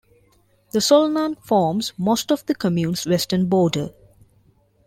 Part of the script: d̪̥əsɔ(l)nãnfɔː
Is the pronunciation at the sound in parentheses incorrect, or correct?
correct